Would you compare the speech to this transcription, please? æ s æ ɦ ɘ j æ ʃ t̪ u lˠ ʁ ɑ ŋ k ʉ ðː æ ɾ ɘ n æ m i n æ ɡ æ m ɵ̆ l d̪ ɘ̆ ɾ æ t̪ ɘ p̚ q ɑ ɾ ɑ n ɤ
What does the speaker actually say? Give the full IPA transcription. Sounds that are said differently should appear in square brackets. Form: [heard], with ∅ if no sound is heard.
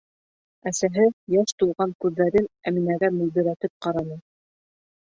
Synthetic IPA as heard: æ s æ ɦ ɘ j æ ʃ t̪ u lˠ ʁ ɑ ŋ k ʉ ðː æ ɾ ɘ n æ m i n æ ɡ æ m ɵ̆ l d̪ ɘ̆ ɾ æ t̪ ɘ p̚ q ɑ ɾ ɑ n ɤ